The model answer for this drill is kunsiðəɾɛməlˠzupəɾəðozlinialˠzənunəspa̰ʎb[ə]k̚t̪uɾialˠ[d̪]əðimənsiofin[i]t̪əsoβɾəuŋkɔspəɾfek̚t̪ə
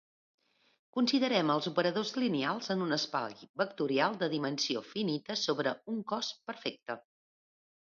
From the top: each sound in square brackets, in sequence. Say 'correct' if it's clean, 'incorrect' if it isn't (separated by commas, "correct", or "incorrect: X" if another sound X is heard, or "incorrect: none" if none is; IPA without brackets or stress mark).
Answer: correct, correct, correct